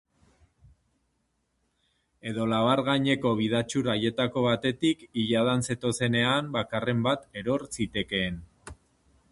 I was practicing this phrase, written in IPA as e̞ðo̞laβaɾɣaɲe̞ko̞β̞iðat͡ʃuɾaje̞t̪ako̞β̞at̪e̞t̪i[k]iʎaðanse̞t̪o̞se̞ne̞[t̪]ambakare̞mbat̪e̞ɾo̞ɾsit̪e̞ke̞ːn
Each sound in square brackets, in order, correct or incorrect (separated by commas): correct, incorrect